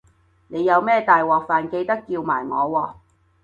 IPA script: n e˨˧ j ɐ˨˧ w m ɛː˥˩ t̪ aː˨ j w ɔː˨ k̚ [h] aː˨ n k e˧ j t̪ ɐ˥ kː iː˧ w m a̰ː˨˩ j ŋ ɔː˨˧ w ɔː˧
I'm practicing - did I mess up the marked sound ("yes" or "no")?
yes